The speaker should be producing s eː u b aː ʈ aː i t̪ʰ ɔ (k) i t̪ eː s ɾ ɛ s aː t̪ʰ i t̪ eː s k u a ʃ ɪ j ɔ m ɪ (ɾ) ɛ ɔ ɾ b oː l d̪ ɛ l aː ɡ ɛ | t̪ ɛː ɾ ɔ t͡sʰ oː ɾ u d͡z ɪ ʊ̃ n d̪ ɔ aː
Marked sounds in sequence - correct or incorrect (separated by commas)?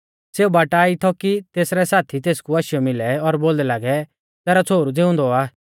correct, incorrect